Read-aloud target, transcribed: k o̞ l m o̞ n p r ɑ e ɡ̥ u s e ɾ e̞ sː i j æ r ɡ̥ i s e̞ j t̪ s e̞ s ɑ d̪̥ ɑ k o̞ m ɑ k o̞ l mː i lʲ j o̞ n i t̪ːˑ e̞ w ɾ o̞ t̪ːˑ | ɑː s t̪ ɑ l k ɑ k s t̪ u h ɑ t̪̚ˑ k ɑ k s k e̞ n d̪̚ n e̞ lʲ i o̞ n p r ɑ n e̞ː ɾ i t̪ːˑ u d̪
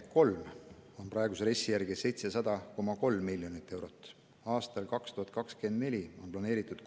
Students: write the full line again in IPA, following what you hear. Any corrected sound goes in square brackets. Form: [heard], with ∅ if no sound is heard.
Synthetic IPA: k o̞ l m o̞ n p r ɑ e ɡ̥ u s e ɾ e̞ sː i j æ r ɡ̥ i s e̞ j t̪ s e̞ s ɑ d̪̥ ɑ k o̞ m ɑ k o̞ l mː i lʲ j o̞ n i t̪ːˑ e̞ w ɾ o̞ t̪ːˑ | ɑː s t̪ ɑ l k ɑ k s t̪ u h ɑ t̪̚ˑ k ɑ k s k e̞ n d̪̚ n e̞ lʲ i o̞ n p [l] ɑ n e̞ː ɾ i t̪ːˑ u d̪